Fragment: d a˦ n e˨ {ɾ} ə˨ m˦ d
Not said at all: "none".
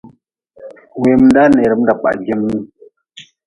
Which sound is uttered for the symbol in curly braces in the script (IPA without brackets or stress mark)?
ɾ